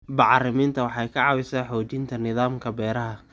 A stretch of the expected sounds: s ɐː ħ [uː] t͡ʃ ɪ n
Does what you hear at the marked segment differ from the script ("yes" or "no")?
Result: yes